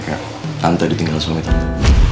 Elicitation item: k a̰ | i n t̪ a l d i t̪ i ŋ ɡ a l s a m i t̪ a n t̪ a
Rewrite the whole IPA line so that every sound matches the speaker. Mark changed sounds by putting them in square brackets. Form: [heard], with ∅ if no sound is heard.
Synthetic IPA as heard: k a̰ | [a] n t̪ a [∅] d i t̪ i ŋ ɡ a l s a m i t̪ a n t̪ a